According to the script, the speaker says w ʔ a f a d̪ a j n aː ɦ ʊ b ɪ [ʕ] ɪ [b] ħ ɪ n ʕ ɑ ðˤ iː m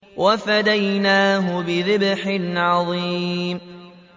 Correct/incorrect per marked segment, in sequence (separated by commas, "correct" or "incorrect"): incorrect, correct